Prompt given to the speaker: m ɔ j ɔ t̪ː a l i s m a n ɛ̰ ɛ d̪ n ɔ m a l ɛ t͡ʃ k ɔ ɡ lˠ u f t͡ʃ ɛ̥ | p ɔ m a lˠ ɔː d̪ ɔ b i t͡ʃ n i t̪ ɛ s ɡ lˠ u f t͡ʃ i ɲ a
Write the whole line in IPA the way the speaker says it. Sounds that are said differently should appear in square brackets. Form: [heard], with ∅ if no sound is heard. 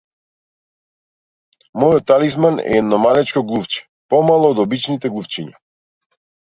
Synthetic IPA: m ɔ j ɔ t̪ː a l i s m a n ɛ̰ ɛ d̪ n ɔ m a l ɛ t͡ʃ k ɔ ɡ lˠ u f t͡ʃ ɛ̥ | p ɔ m a lˠ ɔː d̪ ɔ b i t͡ʃ n i t̪ ɛ [∅] ɡ lˠ u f t͡ʃ i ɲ a